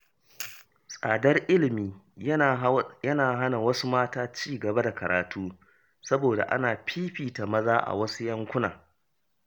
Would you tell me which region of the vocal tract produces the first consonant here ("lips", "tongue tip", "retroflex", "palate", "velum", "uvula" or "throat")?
tongue tip